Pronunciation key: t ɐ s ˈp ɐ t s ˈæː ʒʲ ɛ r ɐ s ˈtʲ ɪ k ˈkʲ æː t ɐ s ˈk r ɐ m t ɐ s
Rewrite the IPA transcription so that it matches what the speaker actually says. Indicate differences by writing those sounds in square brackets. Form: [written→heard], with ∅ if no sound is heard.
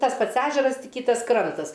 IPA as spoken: t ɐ s ˈp ɐ t s ˈæː ʒʲ ɛ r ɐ s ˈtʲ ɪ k ˈkʲ [æː→iː] t ɐ s ˈk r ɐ [m→n] t ɐ s